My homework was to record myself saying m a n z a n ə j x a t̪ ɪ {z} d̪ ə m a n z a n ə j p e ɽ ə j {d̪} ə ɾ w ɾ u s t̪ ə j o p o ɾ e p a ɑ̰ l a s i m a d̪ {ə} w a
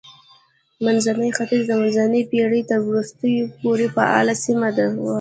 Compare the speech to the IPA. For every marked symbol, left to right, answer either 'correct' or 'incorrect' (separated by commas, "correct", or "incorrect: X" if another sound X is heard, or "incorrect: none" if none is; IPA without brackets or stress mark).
correct, incorrect: t̪, incorrect: a